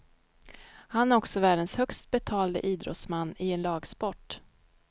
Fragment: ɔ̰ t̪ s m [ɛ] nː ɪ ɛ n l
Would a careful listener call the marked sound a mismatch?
yes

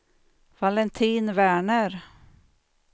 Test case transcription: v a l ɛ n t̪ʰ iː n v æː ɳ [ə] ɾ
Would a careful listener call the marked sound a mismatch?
no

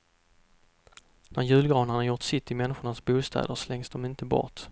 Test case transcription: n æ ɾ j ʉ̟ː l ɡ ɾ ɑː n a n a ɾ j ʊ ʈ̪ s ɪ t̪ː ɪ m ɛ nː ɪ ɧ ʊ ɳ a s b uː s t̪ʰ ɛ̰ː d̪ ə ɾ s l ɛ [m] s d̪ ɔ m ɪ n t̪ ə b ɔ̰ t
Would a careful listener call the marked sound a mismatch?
yes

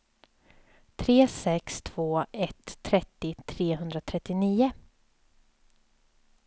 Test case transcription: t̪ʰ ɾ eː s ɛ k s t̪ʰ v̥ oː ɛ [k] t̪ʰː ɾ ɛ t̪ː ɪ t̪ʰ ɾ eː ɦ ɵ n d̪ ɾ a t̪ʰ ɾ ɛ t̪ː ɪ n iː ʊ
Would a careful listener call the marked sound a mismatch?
yes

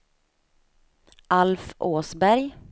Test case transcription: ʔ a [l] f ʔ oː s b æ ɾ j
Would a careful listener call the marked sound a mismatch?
no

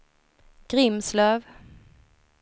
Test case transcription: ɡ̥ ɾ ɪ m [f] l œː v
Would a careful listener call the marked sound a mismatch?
yes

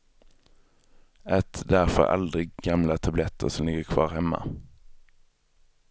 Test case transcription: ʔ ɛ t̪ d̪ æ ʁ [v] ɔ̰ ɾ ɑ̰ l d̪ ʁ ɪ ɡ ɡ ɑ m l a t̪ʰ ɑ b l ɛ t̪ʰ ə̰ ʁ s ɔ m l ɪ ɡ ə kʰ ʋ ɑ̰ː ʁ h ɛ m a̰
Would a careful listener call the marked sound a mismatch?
yes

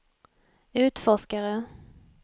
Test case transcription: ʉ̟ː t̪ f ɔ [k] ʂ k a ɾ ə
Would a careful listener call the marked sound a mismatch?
yes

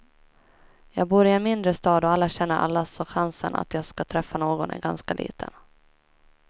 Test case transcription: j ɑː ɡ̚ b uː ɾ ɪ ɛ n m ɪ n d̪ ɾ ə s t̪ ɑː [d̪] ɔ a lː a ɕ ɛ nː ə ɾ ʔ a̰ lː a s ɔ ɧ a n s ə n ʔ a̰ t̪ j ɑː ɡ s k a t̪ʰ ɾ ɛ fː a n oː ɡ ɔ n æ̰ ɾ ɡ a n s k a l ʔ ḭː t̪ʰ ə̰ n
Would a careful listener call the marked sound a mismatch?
no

